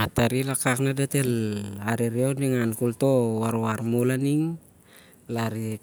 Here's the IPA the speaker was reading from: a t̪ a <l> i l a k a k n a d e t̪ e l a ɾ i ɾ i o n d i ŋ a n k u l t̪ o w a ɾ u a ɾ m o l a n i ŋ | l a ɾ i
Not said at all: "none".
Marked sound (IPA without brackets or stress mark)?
ɾ